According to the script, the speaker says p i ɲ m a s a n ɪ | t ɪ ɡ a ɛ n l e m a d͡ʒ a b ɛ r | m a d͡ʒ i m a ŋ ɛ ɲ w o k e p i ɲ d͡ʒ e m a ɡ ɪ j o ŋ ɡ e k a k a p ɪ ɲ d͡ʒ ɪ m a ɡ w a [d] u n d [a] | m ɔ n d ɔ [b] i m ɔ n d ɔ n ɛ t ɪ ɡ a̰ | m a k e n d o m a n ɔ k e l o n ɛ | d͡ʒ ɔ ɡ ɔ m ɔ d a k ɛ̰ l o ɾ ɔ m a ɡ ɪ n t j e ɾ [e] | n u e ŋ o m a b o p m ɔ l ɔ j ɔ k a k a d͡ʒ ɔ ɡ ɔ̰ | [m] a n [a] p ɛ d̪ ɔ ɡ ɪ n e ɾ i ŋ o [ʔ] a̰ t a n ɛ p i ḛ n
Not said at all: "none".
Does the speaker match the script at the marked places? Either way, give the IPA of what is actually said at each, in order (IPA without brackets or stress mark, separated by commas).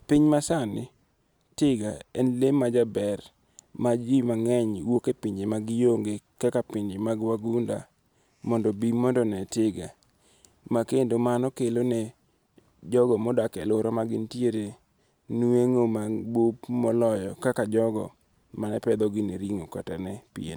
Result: ɡ, a, b, e, m, ɛ, k